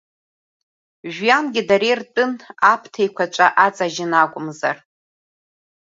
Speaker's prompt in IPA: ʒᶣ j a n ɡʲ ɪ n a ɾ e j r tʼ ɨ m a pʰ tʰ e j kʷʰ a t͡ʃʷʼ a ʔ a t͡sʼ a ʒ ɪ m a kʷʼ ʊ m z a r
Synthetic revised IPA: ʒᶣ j a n ɡʲ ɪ d a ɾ e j r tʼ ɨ n a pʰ tʰ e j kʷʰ a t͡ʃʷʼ a ʔ a t͡sʼ a ʒ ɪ n a kʷʼ ʊ m z a r